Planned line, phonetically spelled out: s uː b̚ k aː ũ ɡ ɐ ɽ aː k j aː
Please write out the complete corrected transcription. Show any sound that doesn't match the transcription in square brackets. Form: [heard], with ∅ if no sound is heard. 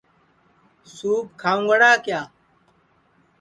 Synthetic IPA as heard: s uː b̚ [kʰ] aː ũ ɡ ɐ ɽ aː k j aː